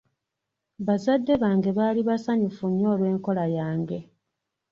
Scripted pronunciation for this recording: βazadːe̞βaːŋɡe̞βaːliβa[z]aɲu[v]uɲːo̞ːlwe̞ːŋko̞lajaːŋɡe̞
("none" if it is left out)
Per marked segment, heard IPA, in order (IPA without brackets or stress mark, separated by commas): s, f